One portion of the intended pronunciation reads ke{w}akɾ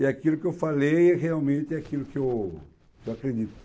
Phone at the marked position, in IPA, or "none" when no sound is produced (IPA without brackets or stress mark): w